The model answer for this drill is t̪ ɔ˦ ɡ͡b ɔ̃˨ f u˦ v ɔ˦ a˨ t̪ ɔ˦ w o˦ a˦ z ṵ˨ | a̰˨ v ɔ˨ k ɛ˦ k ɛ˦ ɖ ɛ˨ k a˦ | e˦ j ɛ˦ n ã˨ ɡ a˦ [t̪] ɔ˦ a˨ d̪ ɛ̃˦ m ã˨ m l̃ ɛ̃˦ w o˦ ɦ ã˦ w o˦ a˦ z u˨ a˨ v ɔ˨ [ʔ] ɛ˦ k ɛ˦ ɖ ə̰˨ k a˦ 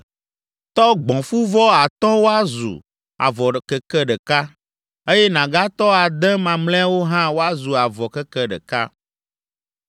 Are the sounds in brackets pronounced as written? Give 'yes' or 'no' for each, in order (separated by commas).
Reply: yes, no